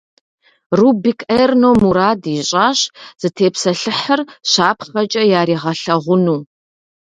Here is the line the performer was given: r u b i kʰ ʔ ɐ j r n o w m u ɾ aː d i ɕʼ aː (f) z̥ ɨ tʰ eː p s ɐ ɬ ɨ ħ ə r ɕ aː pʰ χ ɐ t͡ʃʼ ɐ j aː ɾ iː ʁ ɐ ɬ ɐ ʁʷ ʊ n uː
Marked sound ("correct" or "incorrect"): incorrect